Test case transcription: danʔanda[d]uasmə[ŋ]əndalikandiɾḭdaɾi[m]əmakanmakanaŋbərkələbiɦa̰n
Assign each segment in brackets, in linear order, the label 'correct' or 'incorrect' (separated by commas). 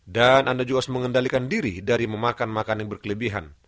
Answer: incorrect, correct, correct